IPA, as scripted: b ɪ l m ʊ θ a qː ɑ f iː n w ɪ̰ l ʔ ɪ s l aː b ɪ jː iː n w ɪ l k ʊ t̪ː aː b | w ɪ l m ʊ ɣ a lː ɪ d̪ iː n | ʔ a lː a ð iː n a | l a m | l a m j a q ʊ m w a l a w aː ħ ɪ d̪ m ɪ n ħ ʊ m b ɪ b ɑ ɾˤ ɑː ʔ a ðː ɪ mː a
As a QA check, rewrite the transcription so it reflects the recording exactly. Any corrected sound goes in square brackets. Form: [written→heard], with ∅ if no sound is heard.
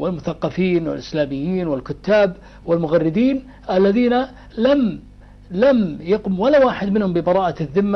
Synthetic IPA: [b→w] ɪ l m ʊ θ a qː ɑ f iː n w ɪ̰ l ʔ ɪ s l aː [b→m] ɪ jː iː n w ɪ l k ʊ t̪ː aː b | w ɪ l m ʊ ɣ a [lː→rː] ɪ d̪ iː n | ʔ a lː a ð iː n a | l a m | l a m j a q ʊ m w a l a w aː ħ ɪ d̪ m ɪ n [ħ→h] ʊ m b ɪ b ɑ ɾˤ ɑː ʔ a ðː ɪ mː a